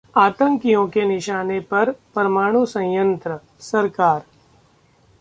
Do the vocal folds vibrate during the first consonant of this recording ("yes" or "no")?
no